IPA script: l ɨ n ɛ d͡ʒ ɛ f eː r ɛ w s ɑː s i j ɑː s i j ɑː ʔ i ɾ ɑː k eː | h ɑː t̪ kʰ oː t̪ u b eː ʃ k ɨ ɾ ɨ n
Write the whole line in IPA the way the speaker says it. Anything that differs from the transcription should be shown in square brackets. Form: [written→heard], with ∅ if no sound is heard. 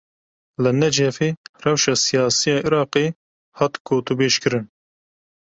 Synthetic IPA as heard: l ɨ n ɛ d͡ʒ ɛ f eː r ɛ w [s→ʃ] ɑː s i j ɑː s i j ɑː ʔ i ɾ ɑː [k→q] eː | h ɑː t̪ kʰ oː t̪ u b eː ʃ k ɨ ɾ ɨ n